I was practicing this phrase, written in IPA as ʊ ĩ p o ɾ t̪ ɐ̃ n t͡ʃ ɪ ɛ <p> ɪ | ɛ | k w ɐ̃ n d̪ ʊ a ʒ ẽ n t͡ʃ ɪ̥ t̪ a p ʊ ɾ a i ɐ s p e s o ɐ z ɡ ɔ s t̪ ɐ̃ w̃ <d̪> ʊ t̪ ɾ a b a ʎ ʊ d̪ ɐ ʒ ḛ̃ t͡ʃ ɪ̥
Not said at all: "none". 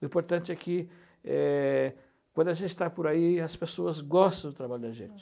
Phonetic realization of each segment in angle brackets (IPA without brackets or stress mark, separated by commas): k, d̪